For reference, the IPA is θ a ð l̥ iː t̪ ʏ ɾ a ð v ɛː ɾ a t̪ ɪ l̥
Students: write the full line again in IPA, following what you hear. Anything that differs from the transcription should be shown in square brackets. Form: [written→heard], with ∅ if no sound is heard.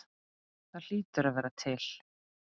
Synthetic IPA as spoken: θ a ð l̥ iː t̪ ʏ ɾ a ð v ɛː ɾ a [t̪→t̪ʰ] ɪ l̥